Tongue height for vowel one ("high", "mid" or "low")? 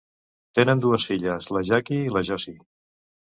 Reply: mid